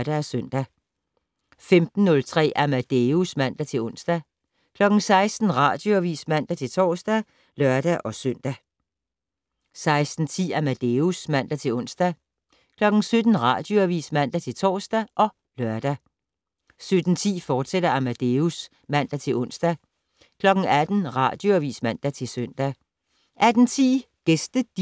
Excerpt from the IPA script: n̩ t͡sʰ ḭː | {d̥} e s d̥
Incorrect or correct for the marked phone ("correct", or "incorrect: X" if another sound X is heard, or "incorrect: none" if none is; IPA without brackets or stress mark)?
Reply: incorrect: ɡ̥